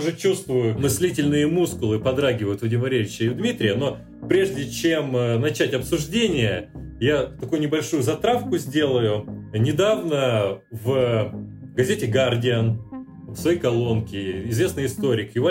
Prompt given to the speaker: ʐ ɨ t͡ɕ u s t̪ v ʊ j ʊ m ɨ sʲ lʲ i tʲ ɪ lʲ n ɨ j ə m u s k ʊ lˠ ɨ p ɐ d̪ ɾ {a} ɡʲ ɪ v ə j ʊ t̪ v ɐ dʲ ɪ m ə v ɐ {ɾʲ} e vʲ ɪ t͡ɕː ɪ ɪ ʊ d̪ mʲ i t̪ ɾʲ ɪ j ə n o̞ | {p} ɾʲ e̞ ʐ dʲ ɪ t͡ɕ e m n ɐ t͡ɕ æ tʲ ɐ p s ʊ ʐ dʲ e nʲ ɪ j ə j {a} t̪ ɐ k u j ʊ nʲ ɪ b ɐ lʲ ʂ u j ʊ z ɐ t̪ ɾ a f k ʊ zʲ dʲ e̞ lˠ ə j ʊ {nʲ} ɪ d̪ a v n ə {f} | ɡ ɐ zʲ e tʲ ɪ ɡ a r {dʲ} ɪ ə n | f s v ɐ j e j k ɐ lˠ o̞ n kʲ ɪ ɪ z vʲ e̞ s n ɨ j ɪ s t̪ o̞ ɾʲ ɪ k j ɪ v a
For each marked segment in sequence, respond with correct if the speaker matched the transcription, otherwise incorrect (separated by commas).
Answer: correct, correct, correct, correct, correct, incorrect, correct